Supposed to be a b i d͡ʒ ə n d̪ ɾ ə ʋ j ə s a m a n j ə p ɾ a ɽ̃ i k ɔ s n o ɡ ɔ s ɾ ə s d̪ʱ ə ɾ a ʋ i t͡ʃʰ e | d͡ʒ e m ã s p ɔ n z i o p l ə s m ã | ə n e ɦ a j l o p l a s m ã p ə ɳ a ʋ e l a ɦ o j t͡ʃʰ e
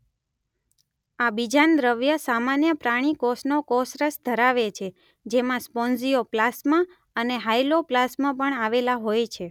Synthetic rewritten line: a b i d͡ʒ a n d̪ ɾ ə ʋ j ə s a m a n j ə p ɾ a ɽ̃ i k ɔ s n o k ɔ s ɾ ə s d̪ʱ ə ɾ a ʋ e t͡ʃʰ e | d͡ʒ e m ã s p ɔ n z i o p l a s m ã | ə n e ɦ a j l o p l a s m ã p ə ɳ a ʋ e l a ɦ o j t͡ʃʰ e